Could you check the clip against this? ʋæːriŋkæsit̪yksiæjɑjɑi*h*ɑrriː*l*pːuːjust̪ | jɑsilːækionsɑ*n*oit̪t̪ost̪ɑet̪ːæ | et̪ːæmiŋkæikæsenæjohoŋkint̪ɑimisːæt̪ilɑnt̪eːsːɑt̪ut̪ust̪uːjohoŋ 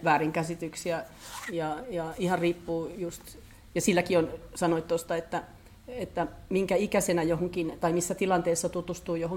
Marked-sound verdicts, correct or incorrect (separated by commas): correct, incorrect, correct